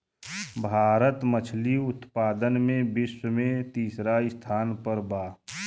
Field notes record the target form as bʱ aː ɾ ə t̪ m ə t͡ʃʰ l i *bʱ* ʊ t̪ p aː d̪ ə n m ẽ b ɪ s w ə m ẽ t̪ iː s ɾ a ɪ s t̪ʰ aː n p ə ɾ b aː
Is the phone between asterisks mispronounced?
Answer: yes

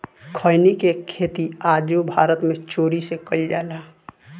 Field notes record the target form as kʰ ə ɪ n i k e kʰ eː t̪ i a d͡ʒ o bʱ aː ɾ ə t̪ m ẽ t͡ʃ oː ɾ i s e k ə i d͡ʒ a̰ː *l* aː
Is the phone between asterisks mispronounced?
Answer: no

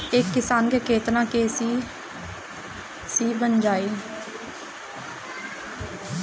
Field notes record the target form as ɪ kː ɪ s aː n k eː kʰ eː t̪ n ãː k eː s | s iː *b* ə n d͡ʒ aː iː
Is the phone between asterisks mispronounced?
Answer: no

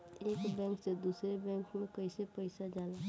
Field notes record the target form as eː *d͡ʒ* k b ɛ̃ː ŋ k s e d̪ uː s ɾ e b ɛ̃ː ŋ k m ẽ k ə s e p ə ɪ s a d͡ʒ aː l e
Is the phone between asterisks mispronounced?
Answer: yes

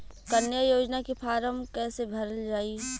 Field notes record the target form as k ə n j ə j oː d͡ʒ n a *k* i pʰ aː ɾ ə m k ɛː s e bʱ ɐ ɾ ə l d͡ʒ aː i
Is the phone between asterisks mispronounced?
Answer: no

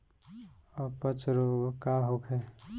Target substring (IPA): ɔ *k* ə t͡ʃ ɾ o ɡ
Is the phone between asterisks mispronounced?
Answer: yes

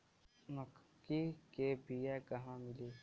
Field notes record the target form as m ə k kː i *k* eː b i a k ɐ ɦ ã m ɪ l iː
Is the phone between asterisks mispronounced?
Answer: no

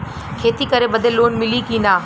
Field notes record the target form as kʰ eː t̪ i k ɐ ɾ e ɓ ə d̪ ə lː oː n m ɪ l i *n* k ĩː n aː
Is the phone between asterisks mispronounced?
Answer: yes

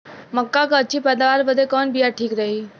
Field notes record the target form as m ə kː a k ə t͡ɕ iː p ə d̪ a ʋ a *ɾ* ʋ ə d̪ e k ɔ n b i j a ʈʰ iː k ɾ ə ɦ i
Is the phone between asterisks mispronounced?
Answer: no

